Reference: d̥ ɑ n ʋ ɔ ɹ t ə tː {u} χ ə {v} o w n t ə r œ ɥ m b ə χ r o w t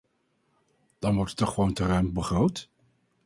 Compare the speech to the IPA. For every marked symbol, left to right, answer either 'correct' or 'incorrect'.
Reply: incorrect, incorrect

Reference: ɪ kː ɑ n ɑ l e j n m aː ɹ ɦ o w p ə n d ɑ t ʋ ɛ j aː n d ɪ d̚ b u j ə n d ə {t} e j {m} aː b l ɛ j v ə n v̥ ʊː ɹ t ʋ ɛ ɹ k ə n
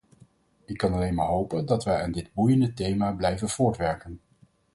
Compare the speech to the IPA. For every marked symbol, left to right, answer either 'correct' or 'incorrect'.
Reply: correct, correct

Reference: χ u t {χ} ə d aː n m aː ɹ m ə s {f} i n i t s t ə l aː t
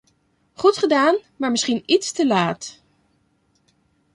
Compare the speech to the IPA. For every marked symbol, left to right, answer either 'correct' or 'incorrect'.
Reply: correct, incorrect

